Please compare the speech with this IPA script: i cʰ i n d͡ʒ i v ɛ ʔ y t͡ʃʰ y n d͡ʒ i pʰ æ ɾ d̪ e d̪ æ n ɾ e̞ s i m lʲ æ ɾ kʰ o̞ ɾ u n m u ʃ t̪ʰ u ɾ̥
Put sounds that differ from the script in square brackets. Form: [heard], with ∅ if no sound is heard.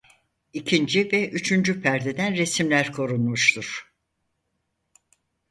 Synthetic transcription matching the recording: i cʰ i n d͡ʒ i v ɛ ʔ y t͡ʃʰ y n d͡ʒ [y] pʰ æ ɾ d̪ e d̪ æ n ɾ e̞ s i m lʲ æ ɾ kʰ o̞ ɾ u n m u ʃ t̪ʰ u ɾ̥